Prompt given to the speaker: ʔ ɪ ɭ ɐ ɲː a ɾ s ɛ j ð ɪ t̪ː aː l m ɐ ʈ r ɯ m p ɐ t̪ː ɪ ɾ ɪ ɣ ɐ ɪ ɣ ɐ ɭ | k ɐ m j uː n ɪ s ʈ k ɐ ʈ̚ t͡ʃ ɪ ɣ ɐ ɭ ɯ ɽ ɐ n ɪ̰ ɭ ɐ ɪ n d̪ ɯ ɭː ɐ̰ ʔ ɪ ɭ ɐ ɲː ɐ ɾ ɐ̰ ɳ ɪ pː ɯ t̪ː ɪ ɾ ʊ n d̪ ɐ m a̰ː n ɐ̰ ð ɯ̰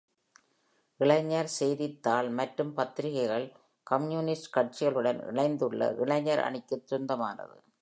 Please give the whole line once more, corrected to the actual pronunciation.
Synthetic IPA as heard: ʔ ɪ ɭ ɐ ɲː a ɾ s ɛ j ð ɪ t̪ː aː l m ɐ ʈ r ɯ m p ɐ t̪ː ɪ ɾ ɪ ɣ ɐ ɪ ɣ ɐ ɭ | k ɐ m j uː n ɪ s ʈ k ɐ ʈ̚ t͡ʃ ɪ ɣ ɐ ɭ ɯ ɽ ɐ n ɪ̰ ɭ ɐ ɪ n d̪ ɯ ɭː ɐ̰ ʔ ɪ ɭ ɐ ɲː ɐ ɾ ɐ̰ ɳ ɪ kː ɯ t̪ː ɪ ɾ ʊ n d̪ ɐ m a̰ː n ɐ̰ ð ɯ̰